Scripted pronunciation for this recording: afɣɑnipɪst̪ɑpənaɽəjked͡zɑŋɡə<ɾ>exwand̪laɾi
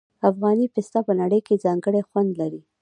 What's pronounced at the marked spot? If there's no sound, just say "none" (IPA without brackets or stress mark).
ɽ